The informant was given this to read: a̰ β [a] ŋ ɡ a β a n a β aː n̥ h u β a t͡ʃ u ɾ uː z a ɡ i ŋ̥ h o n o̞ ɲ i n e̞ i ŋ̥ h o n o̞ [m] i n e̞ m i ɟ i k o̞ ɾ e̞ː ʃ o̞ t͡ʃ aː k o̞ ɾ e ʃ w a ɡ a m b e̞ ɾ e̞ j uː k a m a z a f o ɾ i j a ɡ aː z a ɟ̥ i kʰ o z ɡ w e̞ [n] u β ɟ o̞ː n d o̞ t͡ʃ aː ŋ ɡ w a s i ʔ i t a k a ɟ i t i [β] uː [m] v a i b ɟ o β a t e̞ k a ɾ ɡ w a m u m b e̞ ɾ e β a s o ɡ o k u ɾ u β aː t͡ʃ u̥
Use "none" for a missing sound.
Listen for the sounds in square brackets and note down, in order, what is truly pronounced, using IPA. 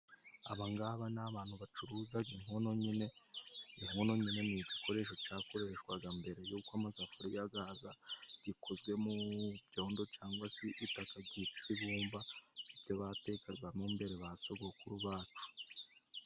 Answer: a, ɲ, m, β, m

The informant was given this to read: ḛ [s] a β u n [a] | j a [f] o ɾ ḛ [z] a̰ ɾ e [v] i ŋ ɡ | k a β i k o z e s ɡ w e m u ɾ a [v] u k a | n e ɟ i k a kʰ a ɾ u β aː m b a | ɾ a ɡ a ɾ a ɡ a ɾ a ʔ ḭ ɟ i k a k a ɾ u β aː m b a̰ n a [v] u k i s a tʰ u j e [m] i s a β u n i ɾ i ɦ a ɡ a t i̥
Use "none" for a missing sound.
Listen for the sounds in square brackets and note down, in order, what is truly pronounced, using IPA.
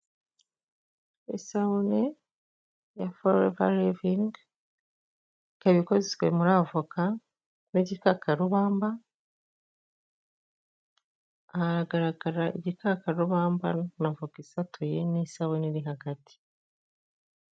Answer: s, e, f, v, v, v, v, n

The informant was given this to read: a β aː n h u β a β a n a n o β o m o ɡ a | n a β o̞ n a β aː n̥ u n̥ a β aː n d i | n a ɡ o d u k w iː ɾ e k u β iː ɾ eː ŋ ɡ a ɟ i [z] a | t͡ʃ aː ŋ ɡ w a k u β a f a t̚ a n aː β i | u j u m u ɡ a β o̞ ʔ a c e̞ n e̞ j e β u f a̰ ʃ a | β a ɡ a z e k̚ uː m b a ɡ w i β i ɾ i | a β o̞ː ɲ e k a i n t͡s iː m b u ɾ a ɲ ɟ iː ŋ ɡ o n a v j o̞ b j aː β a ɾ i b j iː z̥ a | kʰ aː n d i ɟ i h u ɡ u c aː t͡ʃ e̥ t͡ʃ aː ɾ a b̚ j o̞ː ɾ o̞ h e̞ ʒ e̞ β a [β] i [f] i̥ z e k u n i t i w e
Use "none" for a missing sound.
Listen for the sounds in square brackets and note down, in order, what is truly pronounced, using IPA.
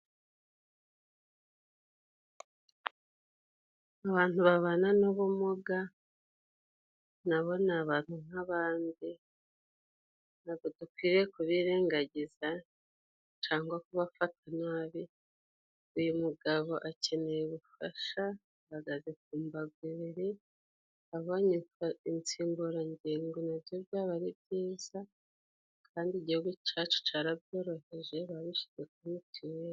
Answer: z, β, ʃ

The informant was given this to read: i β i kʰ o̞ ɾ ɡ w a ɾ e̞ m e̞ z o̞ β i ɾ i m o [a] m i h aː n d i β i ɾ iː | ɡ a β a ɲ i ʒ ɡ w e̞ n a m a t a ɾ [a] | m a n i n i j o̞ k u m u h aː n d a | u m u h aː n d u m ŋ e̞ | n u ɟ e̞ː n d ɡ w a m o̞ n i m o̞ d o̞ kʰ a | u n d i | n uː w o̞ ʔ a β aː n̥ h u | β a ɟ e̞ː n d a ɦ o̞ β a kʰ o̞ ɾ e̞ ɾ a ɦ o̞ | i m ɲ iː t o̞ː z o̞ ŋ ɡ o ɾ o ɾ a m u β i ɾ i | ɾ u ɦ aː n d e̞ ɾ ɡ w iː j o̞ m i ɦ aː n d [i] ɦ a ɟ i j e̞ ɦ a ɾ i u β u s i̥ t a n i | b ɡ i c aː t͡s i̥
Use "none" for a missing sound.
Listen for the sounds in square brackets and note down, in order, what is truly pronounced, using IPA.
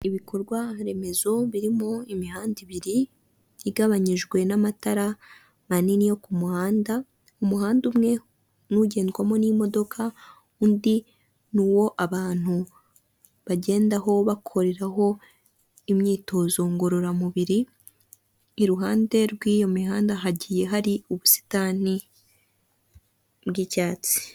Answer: i, a, a

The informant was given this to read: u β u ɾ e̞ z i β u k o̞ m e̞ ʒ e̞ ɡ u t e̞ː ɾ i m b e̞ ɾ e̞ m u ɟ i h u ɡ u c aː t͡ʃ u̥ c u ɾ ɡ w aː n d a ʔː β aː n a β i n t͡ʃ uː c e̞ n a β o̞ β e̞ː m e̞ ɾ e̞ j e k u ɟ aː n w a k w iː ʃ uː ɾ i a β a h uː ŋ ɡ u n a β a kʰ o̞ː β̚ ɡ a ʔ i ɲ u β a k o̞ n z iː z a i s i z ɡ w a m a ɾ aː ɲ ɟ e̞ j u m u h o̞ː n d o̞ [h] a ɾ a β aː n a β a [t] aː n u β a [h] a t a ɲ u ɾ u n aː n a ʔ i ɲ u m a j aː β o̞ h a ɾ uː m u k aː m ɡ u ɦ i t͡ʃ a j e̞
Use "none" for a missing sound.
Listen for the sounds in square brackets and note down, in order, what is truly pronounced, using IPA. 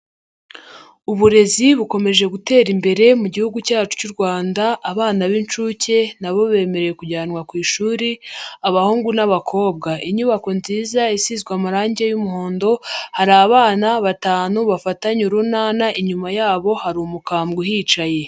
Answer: h, t, f

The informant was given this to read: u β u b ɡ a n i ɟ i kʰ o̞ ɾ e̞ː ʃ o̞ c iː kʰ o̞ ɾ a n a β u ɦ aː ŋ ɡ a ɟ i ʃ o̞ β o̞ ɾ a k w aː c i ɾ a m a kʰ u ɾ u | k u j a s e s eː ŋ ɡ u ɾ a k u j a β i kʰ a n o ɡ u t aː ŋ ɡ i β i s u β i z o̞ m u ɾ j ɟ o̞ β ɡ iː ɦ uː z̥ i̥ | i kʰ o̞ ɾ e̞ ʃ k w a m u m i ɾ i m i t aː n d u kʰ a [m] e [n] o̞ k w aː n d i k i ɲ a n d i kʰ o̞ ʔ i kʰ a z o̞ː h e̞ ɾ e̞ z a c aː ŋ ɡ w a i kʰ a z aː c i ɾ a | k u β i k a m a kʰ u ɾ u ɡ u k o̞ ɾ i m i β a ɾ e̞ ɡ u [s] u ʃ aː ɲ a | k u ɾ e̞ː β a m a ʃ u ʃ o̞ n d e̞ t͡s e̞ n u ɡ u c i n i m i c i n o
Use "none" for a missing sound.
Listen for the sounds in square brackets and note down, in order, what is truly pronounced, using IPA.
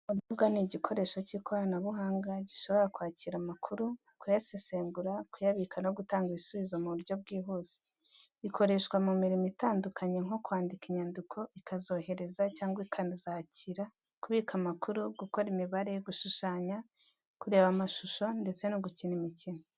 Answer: ɲ, ŋ, ʃ

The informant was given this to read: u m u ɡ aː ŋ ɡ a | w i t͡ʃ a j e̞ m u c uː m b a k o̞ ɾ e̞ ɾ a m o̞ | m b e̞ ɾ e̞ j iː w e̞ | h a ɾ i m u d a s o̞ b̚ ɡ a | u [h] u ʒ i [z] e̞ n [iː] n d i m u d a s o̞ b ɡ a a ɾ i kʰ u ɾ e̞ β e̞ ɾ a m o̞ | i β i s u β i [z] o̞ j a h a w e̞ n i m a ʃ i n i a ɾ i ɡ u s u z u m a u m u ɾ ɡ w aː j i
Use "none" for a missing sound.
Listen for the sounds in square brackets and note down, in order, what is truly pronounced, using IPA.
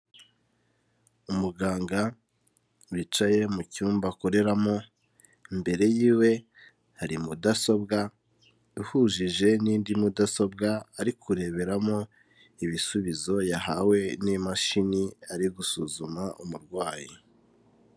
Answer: h, ʒ, iː, z

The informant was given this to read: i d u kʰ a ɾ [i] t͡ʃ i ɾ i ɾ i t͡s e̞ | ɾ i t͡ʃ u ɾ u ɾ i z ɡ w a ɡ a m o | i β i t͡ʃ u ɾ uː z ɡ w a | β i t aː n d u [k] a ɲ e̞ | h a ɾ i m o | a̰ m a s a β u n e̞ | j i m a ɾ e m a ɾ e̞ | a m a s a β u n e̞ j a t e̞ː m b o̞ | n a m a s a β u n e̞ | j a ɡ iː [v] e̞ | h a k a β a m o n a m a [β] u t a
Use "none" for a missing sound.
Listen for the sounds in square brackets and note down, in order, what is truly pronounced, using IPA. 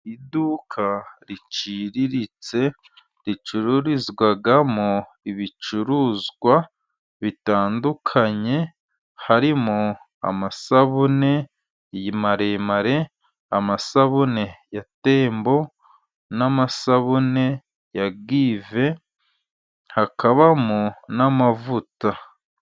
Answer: i, kʰ, v, v

